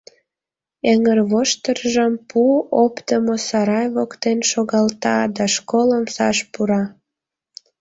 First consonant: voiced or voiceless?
voiced